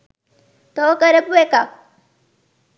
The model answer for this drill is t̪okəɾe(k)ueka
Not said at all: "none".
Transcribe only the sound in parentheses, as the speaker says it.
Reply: p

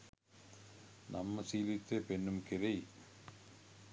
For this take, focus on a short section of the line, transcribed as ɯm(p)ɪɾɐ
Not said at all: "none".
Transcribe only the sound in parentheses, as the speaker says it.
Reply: k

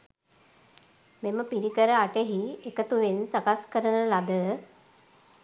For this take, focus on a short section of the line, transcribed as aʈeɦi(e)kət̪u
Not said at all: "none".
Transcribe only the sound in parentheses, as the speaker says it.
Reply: e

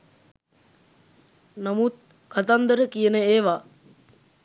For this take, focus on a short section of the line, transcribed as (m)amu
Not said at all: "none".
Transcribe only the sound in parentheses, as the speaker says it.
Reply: n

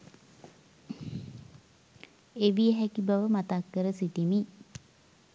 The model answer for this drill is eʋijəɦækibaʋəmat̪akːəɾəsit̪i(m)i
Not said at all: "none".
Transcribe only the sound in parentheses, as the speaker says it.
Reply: m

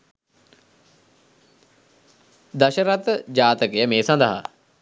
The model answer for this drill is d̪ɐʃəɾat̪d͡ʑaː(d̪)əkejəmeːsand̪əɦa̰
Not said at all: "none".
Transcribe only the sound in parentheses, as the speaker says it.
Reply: t̪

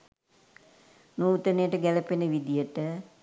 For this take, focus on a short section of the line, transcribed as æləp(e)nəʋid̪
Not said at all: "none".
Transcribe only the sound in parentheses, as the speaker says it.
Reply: e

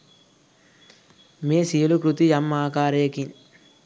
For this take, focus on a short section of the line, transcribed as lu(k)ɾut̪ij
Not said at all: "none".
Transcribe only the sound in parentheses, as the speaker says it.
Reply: k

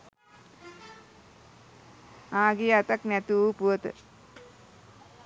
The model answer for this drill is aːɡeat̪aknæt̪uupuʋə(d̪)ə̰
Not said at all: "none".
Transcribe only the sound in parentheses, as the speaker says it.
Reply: t̪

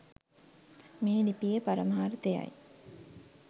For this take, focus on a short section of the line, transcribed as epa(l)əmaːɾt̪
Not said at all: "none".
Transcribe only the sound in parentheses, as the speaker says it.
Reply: ɾ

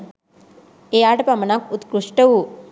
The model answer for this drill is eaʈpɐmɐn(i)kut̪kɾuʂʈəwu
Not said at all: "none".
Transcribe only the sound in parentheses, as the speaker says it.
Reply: a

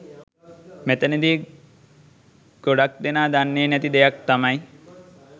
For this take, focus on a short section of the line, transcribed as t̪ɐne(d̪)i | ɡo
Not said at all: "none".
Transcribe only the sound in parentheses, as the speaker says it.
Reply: d̪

